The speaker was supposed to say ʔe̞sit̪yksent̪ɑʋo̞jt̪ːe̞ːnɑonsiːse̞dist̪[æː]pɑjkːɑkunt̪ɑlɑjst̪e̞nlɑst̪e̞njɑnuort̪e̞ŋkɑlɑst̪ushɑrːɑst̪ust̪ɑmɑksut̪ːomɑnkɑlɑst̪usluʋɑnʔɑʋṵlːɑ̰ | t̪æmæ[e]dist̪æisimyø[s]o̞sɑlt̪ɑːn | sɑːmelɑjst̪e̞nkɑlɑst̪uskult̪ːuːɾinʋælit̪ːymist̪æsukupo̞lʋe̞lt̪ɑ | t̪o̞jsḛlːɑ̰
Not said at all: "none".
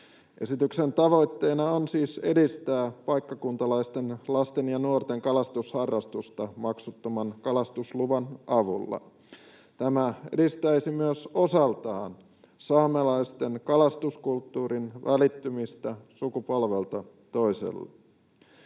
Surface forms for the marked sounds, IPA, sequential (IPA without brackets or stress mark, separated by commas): æː, e, s